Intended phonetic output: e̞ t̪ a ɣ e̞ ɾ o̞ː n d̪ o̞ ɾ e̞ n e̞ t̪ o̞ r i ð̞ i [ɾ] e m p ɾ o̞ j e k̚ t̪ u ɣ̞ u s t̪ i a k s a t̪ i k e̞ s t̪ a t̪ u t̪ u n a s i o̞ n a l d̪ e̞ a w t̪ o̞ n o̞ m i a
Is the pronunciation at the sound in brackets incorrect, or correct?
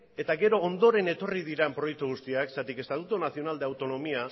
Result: correct